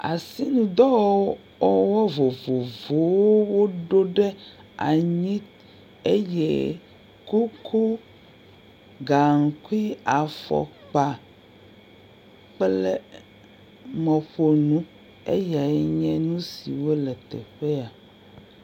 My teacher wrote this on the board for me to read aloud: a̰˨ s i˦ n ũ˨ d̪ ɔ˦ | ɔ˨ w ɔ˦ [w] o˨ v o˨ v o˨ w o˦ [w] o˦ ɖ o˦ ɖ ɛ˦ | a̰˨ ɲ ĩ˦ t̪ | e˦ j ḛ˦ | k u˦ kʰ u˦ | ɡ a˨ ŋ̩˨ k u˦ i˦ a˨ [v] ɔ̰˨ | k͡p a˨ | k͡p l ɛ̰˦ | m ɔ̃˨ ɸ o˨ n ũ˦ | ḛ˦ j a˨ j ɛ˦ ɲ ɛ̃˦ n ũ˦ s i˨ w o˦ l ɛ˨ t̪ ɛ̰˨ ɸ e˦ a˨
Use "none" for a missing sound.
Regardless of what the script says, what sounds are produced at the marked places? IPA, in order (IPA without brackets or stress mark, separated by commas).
v, w, f